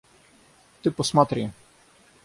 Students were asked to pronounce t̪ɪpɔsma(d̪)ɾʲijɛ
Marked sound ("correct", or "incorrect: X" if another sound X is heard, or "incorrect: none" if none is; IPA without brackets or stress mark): incorrect: t̪